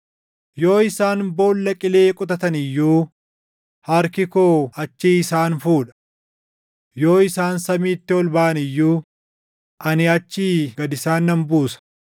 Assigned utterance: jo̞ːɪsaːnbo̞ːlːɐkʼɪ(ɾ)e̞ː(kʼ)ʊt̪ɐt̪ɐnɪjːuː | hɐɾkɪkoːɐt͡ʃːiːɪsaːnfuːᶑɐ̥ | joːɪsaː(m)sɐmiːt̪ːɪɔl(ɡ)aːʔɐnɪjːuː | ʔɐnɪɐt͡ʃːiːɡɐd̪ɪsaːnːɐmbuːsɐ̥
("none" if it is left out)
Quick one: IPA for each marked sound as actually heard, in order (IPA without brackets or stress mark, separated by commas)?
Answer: l, kʼ, n, b